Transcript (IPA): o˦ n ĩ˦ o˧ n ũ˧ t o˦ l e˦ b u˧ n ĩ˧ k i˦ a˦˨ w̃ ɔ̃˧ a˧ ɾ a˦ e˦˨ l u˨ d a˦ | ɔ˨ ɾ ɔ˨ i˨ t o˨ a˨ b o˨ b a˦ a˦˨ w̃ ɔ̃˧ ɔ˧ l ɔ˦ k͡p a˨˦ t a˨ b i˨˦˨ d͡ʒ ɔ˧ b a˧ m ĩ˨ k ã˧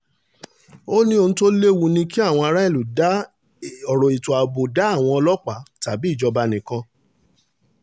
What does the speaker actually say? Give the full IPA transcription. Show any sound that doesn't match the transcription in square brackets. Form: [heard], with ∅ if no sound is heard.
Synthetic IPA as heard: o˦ n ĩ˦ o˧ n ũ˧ t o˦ l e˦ [w] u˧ n ĩ˧ k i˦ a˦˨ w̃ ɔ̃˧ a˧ ɾ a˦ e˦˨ l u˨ d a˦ | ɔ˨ ɾ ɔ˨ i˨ t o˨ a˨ b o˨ [d] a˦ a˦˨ w̃ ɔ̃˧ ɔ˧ l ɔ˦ k͡p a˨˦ t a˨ b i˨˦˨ d͡ʒ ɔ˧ b a˧ [n] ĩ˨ k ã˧